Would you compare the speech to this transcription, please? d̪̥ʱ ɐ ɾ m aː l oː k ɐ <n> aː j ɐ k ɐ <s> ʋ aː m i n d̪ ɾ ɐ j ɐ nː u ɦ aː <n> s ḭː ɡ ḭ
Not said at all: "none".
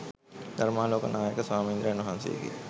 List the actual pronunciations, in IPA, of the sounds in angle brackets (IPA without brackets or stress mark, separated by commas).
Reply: n, s, n